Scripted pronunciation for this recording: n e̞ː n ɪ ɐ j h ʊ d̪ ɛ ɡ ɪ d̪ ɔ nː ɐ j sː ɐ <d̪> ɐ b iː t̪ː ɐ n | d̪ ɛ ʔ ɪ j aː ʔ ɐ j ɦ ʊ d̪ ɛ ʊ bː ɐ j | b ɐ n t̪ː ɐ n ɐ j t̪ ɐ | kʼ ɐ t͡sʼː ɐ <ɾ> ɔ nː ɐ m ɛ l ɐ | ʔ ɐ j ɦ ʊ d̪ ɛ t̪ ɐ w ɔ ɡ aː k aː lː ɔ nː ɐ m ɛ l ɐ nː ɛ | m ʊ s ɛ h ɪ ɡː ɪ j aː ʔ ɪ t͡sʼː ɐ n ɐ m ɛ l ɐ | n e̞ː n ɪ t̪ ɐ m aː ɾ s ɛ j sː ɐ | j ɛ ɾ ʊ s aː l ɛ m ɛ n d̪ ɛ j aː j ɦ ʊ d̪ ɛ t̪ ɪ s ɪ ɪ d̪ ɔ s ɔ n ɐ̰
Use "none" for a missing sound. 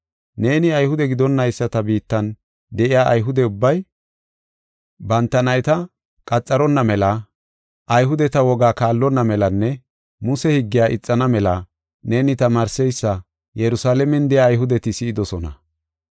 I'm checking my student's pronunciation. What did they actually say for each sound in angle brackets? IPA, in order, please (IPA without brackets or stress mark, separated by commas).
t̪, ɾ